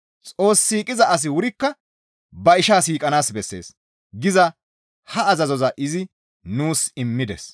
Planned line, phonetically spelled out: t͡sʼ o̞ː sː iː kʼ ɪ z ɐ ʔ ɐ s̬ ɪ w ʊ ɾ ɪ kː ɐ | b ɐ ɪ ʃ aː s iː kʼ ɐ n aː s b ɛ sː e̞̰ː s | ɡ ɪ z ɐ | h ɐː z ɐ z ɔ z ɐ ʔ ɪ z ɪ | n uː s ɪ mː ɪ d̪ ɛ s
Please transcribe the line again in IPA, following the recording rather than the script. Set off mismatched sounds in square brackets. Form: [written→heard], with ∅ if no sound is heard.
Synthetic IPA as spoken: t͡sʼ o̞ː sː iː kʼ ɪ z ɐ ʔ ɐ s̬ ɪ w ʊ ɾ ɪ kː ɐ | b ɐ ɪ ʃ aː s iː kʼ ɐ n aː s b ɛ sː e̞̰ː s | ɡ ɪ z ɐ | h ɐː z ɐ z ɔ z ɐ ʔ ɪ z ɪ | n uː s ɪ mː ɪ d̪ ɛ s